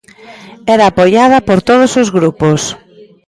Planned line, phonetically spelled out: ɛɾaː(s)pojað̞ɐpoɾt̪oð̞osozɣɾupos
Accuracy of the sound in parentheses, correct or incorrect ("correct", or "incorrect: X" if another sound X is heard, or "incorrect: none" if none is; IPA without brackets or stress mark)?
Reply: incorrect: none